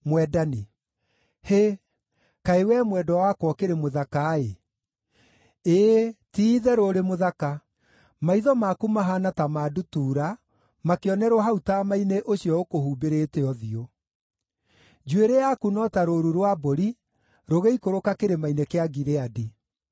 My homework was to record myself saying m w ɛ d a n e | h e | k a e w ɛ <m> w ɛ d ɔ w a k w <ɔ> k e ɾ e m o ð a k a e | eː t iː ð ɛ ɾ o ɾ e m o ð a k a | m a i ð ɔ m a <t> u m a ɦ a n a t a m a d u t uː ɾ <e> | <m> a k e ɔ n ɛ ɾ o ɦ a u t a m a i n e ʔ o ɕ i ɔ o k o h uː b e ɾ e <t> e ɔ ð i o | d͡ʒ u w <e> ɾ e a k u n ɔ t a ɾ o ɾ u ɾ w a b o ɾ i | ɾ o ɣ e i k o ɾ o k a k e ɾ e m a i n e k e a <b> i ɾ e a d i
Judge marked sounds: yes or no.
yes, yes, no, no, yes, yes, yes, no

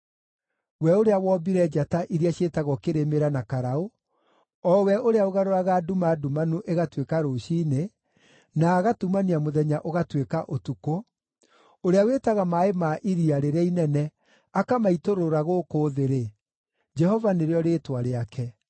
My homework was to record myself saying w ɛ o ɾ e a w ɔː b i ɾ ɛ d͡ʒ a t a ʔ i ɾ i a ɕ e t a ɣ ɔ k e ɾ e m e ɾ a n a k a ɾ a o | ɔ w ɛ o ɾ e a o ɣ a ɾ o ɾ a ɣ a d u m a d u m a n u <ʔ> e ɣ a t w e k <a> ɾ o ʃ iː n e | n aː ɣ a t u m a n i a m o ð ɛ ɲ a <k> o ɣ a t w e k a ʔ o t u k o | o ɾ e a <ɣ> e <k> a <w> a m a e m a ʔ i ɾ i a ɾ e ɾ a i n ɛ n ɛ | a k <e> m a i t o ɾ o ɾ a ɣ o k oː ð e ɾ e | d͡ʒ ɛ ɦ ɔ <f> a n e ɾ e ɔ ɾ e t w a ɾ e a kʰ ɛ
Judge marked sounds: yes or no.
yes, yes, no, no, no, no, no, no

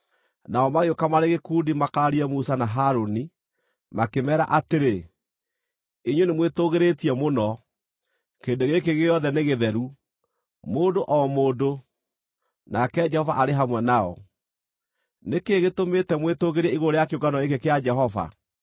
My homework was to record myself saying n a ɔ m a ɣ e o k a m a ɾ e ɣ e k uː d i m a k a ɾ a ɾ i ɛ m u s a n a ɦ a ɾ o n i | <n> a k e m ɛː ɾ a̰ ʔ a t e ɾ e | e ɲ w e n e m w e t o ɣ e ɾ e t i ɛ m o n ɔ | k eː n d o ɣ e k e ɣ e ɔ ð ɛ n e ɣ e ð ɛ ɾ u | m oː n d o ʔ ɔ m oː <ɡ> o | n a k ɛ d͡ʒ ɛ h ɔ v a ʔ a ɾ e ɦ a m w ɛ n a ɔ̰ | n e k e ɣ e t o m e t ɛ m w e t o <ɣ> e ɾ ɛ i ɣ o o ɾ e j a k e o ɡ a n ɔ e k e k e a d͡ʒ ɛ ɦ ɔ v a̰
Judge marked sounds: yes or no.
no, no, yes

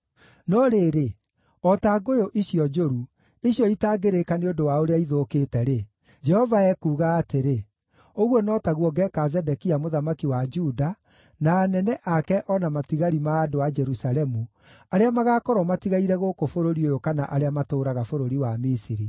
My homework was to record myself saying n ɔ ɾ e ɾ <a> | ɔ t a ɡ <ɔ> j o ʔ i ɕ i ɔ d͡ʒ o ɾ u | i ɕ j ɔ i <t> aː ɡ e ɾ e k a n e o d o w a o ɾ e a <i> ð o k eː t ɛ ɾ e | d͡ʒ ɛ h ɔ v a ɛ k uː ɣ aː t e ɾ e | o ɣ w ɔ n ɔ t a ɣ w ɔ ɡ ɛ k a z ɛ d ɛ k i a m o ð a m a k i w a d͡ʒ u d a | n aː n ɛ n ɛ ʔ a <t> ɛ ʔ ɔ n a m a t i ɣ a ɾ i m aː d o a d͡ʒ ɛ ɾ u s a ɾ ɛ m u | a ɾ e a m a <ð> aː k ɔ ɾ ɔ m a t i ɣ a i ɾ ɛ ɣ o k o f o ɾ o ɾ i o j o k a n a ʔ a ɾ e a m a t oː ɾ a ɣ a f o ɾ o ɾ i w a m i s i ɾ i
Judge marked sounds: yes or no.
no, no, yes, yes, no, no

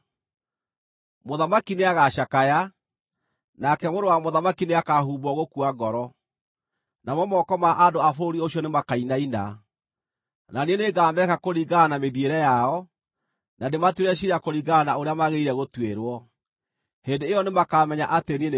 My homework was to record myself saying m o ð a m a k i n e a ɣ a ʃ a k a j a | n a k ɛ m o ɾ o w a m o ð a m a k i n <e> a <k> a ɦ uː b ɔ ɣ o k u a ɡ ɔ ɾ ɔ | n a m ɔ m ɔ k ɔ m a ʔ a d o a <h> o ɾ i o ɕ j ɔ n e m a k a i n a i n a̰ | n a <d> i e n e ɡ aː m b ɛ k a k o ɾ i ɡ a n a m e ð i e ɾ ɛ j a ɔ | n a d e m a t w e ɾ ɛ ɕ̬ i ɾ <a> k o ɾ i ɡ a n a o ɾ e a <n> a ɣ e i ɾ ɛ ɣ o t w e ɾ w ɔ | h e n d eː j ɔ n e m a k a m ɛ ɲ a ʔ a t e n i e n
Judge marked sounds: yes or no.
yes, yes, no, no, yes, no

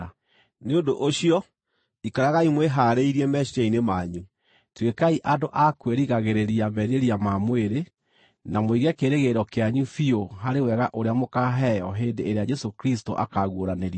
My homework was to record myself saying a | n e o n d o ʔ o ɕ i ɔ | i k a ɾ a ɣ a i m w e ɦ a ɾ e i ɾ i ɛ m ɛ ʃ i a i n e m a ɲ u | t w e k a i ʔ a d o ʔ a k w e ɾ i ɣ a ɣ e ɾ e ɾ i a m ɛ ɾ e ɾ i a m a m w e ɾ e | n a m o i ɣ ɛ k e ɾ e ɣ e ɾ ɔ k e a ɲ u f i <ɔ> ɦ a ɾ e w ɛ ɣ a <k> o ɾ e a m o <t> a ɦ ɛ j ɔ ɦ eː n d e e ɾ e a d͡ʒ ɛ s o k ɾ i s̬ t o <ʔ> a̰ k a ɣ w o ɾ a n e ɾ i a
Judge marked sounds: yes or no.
no, no, no, yes

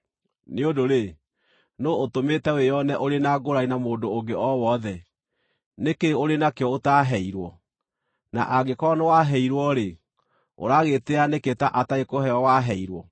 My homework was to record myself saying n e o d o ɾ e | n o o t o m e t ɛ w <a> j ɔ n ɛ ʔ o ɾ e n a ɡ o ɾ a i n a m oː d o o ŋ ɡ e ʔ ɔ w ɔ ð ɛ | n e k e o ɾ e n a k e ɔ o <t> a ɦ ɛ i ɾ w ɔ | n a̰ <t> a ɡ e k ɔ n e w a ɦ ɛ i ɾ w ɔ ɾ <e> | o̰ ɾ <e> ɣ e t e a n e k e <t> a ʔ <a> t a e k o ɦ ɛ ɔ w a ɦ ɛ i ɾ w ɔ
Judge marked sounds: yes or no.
no, yes, no, yes, no, yes, yes

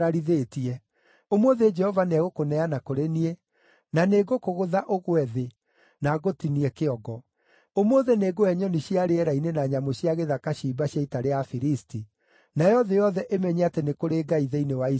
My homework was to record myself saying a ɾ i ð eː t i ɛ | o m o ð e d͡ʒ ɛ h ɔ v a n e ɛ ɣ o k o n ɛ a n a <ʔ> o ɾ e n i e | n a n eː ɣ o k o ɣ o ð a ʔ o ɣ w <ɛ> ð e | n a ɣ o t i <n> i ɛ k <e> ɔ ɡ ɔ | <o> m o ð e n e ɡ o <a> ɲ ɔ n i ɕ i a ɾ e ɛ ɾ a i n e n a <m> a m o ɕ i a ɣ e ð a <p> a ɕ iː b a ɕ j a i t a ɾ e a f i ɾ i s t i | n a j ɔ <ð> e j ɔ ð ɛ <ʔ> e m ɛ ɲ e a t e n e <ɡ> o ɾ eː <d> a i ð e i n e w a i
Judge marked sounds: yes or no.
no, yes, yes, yes, yes, no, no, no, yes, yes, no, no

